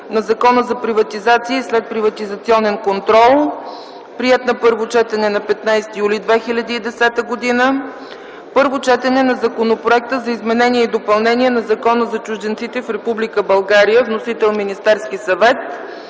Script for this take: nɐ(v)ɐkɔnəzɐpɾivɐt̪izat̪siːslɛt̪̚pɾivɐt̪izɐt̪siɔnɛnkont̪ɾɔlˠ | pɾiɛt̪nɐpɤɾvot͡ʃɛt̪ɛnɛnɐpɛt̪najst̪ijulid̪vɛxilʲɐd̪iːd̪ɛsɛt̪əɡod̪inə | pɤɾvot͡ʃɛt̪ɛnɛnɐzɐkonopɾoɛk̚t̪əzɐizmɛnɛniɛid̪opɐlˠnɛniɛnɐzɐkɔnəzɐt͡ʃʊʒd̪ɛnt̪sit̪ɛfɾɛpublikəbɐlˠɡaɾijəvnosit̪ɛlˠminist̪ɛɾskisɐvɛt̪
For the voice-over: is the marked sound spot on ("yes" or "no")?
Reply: no